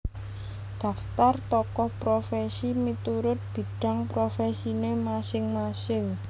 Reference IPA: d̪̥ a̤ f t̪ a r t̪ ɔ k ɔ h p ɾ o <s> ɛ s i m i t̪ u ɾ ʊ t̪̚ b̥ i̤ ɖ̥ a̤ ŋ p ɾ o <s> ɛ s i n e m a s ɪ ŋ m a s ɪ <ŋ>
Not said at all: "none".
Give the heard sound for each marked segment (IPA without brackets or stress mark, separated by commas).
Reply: f, f, ŋ